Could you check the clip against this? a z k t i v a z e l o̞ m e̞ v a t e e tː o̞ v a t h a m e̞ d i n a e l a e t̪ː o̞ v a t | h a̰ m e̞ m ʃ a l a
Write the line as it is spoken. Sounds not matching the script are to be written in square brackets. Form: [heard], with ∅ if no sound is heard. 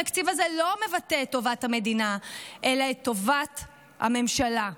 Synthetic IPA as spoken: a [∅] k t i v a z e l o̞ m e̞ v a t e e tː o̞ v a t h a m e̞ d i n a e l a e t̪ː o̞ v a t | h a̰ m e̞ m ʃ a l a